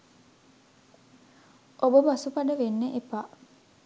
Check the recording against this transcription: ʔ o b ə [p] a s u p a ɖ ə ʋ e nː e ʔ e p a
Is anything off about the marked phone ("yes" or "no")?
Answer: yes